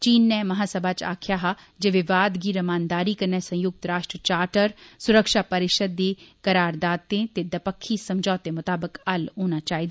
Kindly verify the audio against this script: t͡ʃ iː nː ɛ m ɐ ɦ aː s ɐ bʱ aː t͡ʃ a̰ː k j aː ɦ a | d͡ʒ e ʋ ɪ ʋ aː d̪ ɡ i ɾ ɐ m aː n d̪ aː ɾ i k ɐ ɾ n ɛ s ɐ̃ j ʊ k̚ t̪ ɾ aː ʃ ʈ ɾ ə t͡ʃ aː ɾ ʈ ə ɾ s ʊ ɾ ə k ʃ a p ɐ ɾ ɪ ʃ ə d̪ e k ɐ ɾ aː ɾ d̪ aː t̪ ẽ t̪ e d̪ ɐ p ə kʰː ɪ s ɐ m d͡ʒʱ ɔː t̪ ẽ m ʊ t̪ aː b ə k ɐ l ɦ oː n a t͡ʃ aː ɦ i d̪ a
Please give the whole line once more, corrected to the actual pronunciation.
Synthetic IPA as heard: t͡ʃ iː nː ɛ m ɐ ɦ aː s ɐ bʱ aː t͡ʃ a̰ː kʰ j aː ɦ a | d͡ʒ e ʋ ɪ ʋ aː d̪ ɡ i ɾ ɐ m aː n d̪ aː ɾ i k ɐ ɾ n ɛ s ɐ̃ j ʊ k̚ t̪ ɾ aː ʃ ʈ ɾ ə t͡ʃ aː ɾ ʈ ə ɾ s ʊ ɾ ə k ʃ a p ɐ ɾ ɪ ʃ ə d̪ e k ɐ ɾ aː ɾ d̪ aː t̪ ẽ t̪ e d̪ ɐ p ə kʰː i s ɐ m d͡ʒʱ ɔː t̪ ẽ m ʊ t̪ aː b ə k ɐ l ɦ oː n a t͡ʃ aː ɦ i d̪ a